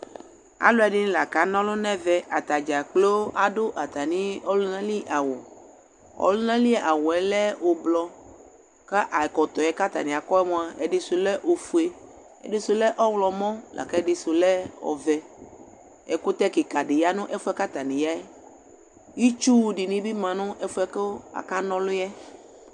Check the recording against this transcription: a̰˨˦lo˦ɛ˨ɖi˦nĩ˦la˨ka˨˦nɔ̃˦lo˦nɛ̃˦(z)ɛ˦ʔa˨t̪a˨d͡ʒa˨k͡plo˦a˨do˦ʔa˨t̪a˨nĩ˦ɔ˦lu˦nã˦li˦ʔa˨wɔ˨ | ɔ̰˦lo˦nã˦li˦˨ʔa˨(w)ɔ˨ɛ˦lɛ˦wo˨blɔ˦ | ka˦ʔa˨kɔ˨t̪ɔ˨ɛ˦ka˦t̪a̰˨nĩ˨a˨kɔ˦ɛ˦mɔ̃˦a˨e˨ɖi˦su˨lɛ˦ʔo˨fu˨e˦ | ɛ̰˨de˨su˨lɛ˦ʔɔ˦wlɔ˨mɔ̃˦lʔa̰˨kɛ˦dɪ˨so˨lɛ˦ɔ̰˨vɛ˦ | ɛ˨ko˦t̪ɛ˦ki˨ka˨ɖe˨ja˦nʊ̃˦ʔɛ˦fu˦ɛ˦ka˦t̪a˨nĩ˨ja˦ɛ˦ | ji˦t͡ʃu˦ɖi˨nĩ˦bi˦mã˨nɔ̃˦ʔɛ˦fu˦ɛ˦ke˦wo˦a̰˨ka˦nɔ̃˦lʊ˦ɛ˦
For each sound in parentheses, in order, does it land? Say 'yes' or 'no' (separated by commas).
no, yes